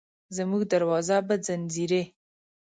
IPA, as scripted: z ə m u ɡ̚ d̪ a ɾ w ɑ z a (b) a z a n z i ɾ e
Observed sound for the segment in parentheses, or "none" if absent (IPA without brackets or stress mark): b